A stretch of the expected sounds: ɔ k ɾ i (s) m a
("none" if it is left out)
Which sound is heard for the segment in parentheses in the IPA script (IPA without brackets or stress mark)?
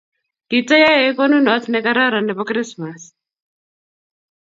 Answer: s